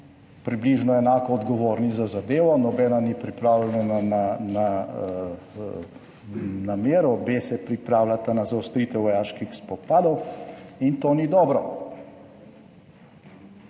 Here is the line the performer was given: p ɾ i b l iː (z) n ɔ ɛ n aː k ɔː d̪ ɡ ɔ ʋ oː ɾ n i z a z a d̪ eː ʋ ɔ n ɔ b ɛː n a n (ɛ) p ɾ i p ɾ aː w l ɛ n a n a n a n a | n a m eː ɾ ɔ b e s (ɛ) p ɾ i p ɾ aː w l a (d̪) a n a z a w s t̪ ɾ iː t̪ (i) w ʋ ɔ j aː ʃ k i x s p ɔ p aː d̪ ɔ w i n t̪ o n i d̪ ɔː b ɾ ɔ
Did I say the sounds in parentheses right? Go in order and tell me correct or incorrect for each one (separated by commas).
incorrect, incorrect, correct, incorrect, incorrect